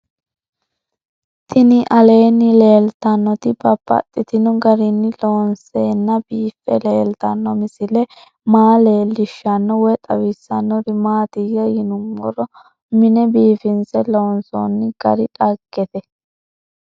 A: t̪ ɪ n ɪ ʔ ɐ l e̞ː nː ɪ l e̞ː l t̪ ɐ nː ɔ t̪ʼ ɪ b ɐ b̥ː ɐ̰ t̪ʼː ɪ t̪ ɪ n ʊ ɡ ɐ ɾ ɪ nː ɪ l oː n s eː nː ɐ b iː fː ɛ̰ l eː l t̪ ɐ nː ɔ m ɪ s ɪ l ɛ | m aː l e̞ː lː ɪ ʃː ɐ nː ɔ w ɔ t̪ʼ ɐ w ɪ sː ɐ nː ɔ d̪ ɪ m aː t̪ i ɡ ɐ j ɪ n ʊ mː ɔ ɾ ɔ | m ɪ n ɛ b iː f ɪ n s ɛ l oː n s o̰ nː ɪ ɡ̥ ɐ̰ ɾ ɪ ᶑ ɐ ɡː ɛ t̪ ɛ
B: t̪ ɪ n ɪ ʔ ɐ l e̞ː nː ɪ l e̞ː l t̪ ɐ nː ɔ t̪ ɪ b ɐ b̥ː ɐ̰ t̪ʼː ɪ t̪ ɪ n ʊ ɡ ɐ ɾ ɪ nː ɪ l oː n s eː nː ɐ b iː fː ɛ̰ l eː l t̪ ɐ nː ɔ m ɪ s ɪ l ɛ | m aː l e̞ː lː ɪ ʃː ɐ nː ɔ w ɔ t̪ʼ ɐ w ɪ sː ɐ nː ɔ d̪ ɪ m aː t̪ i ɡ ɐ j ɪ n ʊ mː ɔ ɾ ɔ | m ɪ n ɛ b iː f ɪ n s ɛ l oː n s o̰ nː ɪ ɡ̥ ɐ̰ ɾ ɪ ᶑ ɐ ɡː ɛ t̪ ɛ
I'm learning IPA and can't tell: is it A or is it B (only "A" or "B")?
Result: B